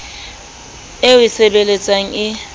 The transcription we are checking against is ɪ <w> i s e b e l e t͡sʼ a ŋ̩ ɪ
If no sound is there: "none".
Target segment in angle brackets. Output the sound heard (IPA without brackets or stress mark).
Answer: w